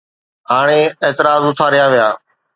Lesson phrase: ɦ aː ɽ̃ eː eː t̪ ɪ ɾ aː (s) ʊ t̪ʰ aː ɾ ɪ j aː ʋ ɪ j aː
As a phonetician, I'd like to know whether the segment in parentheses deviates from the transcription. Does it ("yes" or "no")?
yes